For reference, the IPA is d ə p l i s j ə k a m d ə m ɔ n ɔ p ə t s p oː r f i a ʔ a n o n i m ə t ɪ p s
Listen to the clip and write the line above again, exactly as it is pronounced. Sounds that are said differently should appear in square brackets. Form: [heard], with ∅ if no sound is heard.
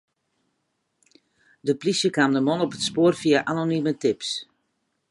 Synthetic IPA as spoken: d ə p l i s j ə k a m d ə m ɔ n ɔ p ə t s p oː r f i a ʔ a n o n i m ə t ɪ p s

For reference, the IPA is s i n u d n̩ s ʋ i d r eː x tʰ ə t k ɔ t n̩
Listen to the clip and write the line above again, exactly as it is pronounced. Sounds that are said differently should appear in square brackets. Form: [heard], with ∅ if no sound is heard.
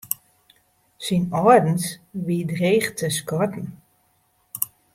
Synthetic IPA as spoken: s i n [ɔ] d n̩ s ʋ i d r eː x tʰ ə [s] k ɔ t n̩

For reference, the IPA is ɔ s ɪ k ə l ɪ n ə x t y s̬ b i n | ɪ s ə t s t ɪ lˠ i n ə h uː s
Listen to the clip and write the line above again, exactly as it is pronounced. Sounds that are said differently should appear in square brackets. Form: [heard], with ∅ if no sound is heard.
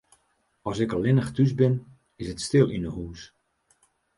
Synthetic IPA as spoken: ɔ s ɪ k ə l ɪ n ə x t y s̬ b [ɪ] n | ɪ s ə t s t ɪ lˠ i n ə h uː s

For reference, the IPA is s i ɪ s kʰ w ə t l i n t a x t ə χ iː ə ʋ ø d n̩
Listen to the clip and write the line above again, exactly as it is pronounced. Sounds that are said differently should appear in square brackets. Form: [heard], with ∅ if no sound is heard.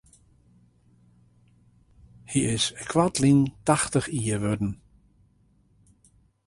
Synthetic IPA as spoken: [h] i ɪ s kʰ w [a] t l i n t a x t ə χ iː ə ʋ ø d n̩

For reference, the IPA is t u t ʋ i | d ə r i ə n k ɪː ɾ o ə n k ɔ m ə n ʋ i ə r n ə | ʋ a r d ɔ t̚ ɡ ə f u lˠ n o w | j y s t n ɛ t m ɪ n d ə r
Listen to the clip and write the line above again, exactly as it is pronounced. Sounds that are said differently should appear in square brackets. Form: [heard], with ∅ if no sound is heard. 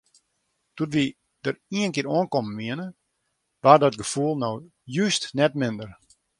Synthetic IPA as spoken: t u t ʋ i | d ə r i ə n k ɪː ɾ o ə n k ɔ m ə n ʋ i ə [∅] n ə | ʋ a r d ɔ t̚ ɡ ə f u lˠ n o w | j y s t n ɛ t m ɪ n d ə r

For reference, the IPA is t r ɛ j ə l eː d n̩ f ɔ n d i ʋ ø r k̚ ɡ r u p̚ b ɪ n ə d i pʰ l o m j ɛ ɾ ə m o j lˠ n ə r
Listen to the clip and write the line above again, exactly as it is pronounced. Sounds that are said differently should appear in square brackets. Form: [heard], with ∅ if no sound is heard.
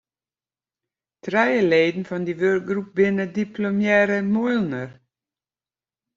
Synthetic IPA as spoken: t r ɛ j ə l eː d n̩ f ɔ n d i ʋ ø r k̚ ɡ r u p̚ b ɪ n ə d i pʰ l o m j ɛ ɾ ə m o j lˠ n ə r

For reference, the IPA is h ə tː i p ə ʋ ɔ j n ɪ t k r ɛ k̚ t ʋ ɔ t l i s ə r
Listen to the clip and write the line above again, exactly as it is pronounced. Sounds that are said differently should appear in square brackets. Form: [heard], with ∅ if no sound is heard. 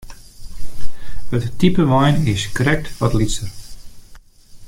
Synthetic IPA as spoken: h ə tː i p ə ʋ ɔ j n ɪ [s] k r ɛ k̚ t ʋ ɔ t l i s ə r

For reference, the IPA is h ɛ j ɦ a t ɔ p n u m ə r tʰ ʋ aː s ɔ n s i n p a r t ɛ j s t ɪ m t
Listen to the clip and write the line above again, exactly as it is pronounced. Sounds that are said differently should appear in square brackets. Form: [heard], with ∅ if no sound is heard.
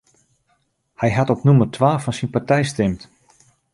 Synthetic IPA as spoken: h ɛ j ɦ a t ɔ p n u m ə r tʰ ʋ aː [f] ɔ n s i n p a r t ɛ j s t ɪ m t

